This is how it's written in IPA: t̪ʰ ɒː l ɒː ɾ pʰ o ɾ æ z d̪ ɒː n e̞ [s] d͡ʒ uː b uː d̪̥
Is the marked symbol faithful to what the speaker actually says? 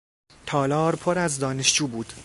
no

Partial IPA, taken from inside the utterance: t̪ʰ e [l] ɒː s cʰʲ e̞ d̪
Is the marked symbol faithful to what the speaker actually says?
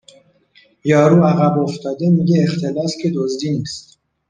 yes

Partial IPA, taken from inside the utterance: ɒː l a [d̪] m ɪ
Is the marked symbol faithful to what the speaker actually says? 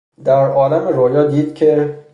no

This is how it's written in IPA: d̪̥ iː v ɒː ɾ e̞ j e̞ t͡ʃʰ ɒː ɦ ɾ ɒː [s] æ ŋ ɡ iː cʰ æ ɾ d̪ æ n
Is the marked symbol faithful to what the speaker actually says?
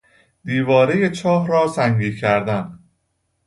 yes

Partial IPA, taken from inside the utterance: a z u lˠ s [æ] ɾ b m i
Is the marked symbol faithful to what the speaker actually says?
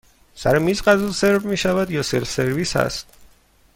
no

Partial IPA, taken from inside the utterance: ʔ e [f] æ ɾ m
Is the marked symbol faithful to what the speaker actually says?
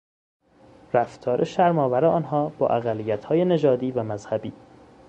no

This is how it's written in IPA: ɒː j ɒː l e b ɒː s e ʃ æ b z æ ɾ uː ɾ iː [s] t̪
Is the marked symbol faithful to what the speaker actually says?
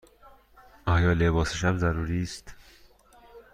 yes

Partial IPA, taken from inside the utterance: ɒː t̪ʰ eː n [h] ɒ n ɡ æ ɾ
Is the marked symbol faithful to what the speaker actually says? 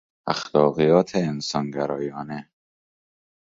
no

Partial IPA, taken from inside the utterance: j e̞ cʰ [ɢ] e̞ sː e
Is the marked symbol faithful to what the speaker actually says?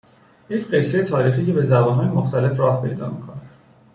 yes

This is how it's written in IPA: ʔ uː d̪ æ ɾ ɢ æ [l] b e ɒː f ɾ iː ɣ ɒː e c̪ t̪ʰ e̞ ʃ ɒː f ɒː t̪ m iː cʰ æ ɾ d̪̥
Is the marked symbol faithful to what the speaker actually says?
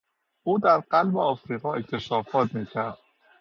yes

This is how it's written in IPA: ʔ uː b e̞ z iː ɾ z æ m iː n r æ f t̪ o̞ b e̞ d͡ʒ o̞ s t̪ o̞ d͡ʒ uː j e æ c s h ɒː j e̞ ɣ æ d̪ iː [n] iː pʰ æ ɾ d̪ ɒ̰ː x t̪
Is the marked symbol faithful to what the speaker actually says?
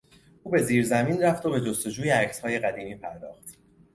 no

